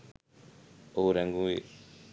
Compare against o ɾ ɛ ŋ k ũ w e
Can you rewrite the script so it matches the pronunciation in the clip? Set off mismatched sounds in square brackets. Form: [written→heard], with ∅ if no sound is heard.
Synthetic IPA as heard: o ɾ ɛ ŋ [k→ɡ] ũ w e

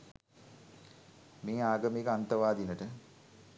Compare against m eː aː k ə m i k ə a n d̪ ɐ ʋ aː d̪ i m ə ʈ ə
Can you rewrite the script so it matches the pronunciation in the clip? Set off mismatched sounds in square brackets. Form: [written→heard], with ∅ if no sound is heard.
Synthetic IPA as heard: m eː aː [k→ɡ] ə m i k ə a n [d̪→t̪] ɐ ʋ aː d̪ i [m→n] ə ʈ ə

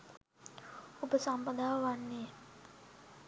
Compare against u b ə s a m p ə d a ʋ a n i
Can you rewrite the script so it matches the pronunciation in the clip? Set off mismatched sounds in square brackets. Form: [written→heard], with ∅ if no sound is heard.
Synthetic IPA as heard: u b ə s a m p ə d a [ʋ→w] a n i

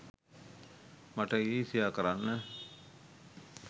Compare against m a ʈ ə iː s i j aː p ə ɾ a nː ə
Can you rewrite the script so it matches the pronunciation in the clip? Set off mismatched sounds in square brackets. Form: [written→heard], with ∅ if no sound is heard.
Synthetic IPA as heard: m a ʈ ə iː s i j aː [p→k] ə ɾ a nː ə

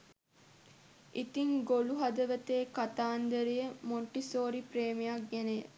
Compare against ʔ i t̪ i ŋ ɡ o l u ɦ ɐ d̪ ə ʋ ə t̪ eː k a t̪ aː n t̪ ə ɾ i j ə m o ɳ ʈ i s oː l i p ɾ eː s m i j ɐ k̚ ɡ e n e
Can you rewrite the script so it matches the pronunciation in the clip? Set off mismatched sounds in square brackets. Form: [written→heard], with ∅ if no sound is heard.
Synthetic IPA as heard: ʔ i t̪ i ŋ ɡ o l u ɦ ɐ d̪ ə ʋ ə t̪ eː k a t̪ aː n [t̪→d̪] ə ɾ i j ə m o ɳ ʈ i s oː [l→ɾ] i p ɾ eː [s→∅] m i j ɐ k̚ ɡ e n e

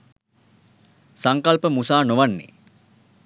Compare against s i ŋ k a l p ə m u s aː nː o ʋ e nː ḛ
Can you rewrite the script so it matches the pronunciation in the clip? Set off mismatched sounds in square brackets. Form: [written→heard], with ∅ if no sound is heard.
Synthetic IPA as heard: s [i→a] ŋ k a l p ə m u s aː [nː→n] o ʋ [e→a] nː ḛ

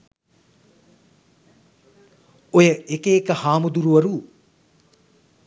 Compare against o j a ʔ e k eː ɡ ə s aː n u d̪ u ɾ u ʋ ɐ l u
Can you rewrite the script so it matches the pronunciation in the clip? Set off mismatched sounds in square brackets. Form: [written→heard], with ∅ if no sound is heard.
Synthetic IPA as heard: o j [a→ə] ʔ e k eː [ɡ→k] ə [s→h] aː [n→m] u d̪ u ɾ u ʋ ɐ [l→ɾ] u

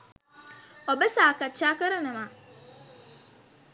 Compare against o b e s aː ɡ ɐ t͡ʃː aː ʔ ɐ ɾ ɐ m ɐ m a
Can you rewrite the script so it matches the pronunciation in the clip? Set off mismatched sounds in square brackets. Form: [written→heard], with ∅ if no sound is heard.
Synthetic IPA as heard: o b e s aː [ɡ→k] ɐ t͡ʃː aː [ʔ→k] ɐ ɾ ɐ [m→n] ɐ m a

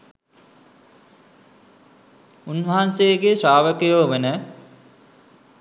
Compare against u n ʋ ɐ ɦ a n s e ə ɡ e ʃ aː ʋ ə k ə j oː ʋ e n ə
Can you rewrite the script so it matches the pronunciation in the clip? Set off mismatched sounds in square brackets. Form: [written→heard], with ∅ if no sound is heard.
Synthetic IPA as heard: u n ʋ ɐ ɦ a n s e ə ɡ e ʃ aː ʋ ə k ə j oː ʋ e n ə

